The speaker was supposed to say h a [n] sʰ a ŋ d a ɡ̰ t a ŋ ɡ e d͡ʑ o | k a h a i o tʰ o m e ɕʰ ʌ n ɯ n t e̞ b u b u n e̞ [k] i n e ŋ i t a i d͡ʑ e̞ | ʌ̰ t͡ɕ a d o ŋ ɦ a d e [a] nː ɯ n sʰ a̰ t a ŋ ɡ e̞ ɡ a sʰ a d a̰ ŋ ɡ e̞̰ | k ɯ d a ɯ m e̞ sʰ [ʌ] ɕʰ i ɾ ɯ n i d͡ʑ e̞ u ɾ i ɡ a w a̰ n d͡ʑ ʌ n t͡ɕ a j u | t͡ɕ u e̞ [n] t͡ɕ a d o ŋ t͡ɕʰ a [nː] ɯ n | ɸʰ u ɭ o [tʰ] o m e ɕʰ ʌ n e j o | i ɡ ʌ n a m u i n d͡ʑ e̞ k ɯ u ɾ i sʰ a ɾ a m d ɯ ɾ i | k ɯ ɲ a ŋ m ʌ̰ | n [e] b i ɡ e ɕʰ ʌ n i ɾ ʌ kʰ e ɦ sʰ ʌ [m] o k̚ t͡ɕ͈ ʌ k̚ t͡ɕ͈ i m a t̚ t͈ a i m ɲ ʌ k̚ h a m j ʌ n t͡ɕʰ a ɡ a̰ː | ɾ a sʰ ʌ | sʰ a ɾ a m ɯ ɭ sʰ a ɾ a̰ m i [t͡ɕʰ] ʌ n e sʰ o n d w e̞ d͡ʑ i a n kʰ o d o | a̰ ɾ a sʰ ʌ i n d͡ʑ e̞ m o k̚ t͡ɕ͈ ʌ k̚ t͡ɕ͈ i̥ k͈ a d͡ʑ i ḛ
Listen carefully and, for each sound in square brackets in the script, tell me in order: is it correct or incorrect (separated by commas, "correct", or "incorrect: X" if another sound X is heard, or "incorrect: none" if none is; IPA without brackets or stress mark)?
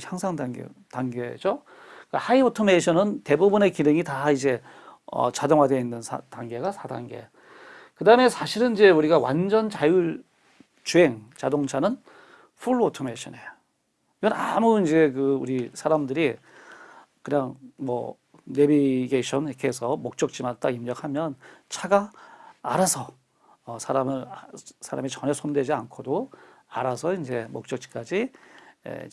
incorrect: ŋ, correct, incorrect: i, incorrect: a, incorrect: ŋ, incorrect: n, correct, correct, correct, incorrect: t͡ɕ